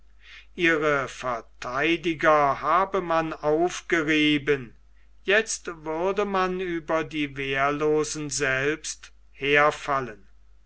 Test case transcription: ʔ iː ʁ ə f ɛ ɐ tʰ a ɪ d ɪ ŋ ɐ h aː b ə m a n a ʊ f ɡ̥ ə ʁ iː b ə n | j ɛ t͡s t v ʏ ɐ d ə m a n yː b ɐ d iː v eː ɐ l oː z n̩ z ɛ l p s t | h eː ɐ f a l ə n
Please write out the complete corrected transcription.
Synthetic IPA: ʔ iː ʁ ə f ɛ ɐ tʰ a ɪ d ɪ ɡ ɐ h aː b ə m a n a ʊ f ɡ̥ ə ʁ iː b ə n | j ɛ t͡s t v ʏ ɐ d ə m a n yː b ɐ d iː v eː ɐ l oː z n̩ z ɛ l p s t | h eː ɐ f a l ə n